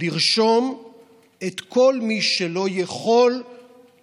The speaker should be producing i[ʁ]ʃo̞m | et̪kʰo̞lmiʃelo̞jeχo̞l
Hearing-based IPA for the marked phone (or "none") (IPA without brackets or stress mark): ʁ